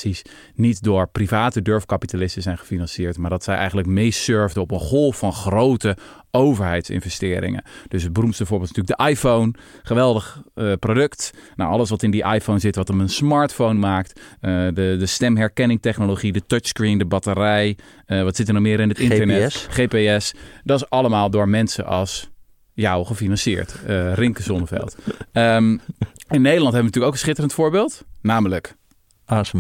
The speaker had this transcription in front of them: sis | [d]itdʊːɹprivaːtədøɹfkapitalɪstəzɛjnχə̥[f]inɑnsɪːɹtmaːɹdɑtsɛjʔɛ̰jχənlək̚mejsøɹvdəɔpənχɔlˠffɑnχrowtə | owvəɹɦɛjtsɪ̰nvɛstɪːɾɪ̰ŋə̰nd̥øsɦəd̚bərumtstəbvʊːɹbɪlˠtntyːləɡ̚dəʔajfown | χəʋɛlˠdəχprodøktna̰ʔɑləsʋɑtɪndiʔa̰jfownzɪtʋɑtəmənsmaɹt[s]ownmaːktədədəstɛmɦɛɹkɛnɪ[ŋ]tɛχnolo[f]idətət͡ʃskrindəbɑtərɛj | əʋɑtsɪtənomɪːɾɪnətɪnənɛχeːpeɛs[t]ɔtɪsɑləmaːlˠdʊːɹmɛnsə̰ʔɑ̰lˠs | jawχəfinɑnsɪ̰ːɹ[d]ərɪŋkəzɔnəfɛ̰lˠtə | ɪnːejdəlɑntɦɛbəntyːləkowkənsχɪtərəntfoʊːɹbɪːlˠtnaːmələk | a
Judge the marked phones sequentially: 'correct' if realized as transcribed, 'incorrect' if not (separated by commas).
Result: incorrect, correct, incorrect, correct, incorrect, incorrect, incorrect